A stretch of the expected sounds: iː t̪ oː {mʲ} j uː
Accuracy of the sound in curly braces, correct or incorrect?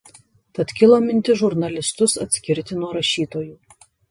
incorrect